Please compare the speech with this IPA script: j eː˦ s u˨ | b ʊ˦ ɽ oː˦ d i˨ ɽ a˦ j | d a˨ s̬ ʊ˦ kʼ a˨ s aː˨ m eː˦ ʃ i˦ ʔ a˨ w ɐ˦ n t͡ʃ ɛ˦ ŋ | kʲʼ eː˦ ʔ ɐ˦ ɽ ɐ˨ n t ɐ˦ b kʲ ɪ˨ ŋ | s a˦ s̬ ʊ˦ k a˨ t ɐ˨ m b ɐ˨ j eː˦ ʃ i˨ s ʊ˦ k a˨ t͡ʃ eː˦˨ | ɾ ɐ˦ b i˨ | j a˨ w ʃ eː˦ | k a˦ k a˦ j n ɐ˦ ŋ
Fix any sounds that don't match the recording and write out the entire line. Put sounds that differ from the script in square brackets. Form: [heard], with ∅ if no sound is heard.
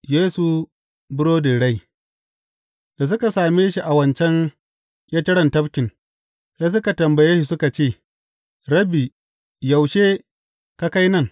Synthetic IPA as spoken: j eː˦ s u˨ | b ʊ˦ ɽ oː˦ d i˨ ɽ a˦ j | d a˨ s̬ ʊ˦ [k] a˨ s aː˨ m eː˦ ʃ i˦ ʔ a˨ w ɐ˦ n t͡ʃ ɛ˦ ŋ | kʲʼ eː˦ [t] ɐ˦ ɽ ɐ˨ n t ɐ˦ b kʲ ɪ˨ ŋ | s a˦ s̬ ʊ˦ k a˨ t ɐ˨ m b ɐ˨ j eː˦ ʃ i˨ s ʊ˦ k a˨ t͡ʃ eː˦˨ | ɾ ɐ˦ b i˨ | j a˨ w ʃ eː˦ | k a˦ k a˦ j n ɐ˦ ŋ